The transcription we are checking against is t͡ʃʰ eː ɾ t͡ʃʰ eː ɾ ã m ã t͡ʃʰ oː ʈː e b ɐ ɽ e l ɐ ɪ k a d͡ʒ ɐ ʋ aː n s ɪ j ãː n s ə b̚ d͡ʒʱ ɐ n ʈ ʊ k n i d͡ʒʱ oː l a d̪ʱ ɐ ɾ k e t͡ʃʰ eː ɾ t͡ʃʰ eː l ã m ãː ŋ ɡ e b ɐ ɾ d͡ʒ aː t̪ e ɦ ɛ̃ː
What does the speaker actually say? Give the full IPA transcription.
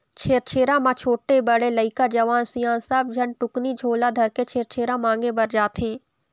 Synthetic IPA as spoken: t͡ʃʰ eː ɾ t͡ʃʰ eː ɾ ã m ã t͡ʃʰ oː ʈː e b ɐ ɽ e l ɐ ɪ k a d͡ʒ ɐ ʋ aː n s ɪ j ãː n s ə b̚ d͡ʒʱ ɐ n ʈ ʊ k n i d͡ʒʱ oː l a d̪ʱ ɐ ɾ k e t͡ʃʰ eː ɾ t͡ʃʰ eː ɾ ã m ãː ŋ ɡ e b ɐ ɾ d͡ʒ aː t̪ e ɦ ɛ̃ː